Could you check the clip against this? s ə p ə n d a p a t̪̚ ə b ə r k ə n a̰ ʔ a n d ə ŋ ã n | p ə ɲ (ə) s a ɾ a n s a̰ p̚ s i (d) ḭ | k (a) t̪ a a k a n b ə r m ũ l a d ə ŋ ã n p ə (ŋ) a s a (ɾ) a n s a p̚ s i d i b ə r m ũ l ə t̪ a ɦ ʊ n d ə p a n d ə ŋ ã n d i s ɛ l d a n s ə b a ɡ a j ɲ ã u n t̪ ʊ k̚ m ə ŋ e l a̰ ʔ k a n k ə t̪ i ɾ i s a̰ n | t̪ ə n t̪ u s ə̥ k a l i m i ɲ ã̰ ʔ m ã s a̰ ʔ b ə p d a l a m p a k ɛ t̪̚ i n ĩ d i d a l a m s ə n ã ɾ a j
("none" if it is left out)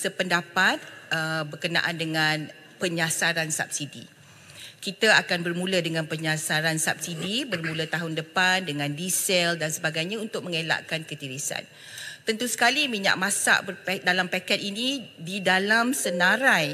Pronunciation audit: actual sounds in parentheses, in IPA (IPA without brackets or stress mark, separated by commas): a, d, i, ɲ, ɾ